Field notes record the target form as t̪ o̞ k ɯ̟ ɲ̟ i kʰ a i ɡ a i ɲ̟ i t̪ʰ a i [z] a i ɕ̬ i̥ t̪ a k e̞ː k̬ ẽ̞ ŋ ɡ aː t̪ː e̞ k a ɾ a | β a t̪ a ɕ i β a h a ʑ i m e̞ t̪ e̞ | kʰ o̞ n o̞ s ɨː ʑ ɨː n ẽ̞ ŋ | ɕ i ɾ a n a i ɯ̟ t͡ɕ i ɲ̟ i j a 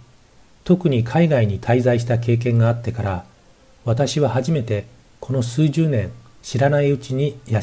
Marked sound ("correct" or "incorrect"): correct